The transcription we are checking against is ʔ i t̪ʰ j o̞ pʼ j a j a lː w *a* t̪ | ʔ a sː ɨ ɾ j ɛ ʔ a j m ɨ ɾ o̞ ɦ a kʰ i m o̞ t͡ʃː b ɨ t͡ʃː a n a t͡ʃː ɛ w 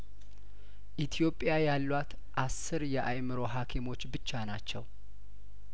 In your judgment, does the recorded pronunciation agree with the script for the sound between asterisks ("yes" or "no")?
yes